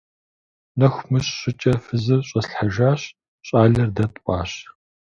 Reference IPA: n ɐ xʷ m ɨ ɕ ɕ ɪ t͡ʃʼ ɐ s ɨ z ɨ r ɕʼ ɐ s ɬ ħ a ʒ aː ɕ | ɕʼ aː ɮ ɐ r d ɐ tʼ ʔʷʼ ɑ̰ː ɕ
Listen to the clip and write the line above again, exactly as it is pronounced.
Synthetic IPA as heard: n ɐ xʷ m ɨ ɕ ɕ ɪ t͡ʃʼ ɐ f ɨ z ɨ r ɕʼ ɐ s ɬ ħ a ʒ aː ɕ | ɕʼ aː ɮ ɐ r d ɐ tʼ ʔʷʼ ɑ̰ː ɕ